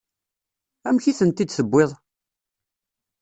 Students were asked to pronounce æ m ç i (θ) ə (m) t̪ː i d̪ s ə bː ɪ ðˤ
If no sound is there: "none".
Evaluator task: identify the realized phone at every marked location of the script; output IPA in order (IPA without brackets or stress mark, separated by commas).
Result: θ, n